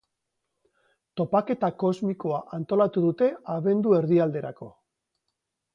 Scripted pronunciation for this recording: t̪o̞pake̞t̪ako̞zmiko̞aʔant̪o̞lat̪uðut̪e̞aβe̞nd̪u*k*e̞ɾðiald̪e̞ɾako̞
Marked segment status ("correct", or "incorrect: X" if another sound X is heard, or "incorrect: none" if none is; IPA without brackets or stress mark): incorrect: none